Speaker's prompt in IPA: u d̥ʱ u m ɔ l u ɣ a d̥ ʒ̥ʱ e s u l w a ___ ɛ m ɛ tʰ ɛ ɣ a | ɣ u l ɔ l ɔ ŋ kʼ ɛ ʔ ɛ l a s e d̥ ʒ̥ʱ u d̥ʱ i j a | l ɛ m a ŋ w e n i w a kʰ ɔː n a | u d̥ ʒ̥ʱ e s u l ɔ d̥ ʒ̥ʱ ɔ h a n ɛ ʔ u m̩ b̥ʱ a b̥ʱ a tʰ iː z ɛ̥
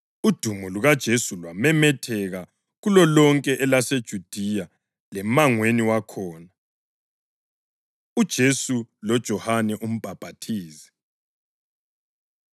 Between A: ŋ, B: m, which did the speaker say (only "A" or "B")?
B